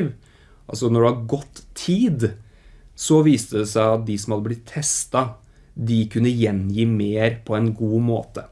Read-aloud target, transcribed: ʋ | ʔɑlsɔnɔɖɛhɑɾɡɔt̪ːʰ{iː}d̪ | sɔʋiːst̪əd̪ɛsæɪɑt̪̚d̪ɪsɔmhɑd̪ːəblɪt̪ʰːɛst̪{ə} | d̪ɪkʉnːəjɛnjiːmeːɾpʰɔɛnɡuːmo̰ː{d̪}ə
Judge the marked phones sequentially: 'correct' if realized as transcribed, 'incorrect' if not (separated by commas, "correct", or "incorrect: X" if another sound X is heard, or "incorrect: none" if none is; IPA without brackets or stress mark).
correct, incorrect: ɑ, incorrect: t̪